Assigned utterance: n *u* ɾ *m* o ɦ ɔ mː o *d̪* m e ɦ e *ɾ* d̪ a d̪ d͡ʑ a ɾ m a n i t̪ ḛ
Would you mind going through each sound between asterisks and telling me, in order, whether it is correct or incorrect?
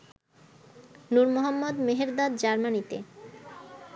correct, correct, correct, correct

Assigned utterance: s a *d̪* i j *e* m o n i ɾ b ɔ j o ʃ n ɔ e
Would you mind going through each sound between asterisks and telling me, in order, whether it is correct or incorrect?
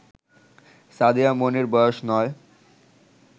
correct, incorrect

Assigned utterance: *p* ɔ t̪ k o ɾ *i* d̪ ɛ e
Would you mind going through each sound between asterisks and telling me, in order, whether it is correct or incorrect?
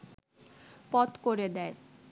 correct, incorrect

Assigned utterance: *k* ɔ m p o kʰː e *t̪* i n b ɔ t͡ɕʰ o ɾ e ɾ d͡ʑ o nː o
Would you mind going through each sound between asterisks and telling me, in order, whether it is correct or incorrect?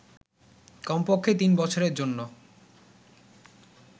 correct, correct

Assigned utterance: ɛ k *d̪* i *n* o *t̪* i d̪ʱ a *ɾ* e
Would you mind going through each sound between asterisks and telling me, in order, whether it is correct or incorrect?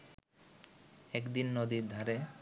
correct, incorrect, incorrect, correct

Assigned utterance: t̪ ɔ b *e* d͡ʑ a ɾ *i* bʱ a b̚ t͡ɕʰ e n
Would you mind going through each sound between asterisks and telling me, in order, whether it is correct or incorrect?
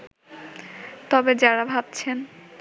correct, incorrect

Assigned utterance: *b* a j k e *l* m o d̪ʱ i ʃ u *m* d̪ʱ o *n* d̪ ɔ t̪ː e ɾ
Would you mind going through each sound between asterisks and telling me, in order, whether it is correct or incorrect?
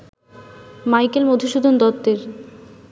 incorrect, correct, incorrect, correct

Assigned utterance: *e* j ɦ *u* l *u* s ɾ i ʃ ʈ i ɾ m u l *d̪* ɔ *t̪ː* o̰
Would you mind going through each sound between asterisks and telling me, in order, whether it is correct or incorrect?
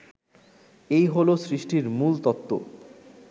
correct, incorrect, incorrect, incorrect, correct

